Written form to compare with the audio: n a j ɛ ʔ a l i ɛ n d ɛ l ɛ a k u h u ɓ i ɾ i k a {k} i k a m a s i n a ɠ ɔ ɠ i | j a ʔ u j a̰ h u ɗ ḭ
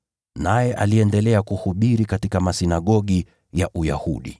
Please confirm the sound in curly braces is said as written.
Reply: no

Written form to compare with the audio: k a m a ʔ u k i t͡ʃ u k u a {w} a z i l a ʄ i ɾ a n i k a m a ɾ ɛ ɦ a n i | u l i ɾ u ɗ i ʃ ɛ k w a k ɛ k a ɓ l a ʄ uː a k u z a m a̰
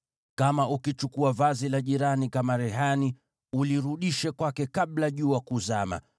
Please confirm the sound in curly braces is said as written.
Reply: no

